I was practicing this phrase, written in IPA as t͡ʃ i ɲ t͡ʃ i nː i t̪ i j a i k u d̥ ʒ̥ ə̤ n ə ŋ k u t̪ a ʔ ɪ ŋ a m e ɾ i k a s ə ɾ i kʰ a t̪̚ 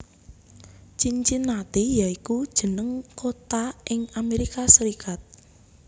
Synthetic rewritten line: t͡ʃ i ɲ t͡ʃ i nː a t̪ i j a i k u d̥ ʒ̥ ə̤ n ə ŋ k o t̪ a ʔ ɪ ŋ a m e ɾ i k a s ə ɾ i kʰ a t̪̚